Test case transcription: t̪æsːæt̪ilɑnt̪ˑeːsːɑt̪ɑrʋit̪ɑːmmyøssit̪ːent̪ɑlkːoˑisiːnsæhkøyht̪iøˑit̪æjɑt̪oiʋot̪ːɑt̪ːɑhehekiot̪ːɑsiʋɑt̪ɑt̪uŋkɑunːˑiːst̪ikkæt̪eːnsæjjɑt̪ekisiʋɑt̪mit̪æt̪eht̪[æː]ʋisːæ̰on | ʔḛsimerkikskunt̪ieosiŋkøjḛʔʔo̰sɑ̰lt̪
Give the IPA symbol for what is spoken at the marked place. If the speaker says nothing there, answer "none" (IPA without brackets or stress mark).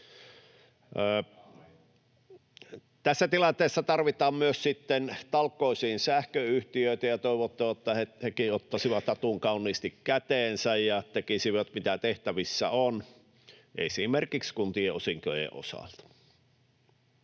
æ